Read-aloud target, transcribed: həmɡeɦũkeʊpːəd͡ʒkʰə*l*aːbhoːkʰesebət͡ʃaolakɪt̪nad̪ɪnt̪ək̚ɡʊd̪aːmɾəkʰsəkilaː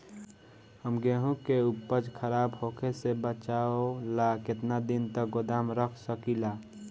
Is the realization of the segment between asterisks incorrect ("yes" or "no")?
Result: yes